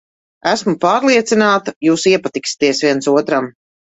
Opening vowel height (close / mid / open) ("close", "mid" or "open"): open